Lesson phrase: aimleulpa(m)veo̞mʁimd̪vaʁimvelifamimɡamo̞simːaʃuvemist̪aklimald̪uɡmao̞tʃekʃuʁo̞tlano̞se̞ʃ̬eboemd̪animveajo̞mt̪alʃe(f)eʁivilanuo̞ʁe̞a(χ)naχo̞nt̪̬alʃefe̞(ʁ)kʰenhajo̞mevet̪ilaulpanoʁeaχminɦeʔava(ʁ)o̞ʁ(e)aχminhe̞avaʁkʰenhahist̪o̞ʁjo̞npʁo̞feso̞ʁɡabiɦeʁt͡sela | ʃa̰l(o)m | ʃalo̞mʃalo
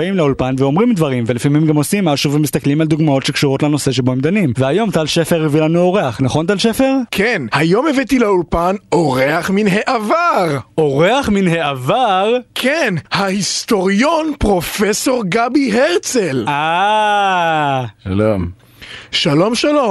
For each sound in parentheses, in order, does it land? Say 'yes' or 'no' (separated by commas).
no, yes, yes, yes, yes, yes, yes